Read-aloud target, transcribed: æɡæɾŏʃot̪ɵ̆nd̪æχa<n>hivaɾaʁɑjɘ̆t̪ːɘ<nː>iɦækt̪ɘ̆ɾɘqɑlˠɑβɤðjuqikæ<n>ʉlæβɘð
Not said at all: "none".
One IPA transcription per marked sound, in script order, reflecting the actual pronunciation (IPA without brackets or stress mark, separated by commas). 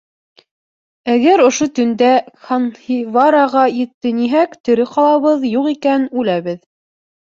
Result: n, n, n